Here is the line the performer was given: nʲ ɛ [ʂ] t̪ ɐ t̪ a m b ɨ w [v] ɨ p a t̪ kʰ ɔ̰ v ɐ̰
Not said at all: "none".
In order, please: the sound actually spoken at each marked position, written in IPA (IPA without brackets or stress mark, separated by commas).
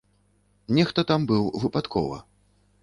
x, v